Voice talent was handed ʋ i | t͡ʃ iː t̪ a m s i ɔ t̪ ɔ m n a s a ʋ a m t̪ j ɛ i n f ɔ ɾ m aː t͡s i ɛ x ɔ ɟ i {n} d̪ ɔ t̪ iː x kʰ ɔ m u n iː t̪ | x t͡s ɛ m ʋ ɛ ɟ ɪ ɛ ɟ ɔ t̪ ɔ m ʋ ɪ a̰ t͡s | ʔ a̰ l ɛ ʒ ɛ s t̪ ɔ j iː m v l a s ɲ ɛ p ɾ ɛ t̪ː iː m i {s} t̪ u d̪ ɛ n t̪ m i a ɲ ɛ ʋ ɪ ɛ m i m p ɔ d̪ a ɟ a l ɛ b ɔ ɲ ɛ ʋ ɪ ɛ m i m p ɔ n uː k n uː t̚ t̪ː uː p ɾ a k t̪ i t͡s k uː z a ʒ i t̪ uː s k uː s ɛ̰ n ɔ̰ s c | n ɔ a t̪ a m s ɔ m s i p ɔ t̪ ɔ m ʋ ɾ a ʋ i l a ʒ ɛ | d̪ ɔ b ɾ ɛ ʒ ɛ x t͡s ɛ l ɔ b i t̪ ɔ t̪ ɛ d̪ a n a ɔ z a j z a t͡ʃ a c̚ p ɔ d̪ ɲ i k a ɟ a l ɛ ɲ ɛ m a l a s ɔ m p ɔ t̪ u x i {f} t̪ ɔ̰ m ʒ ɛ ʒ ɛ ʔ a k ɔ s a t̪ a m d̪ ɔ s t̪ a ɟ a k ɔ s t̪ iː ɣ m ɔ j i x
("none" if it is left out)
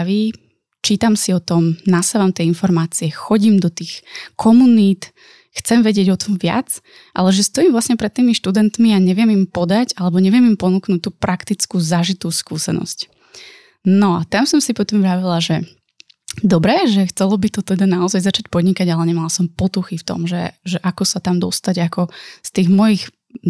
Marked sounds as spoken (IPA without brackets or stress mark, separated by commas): m, ʃ, f